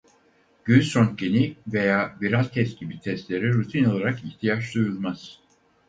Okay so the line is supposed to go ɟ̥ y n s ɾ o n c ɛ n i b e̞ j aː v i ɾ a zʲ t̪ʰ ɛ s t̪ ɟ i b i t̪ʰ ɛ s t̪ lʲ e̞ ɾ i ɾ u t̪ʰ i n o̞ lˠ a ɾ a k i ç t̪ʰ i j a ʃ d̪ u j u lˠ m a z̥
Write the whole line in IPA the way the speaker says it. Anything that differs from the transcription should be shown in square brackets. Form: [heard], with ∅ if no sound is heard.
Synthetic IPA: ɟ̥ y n s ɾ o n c [e] n i [v] e̞ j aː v i ɾ a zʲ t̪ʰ ɛ s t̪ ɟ i b i t̪ʰ ɛ s t̪ lʲ e̞ ɾ i ɾ u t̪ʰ i n o̞ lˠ a ɾ a k i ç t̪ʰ i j a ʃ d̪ u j u lˠ m a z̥